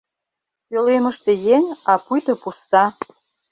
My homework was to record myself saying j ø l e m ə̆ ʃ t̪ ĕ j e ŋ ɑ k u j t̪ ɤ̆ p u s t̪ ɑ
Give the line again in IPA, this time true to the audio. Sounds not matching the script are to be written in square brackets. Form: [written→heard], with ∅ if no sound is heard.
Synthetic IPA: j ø l e m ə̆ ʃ t̪ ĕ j e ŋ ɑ [k→p] u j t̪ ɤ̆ p u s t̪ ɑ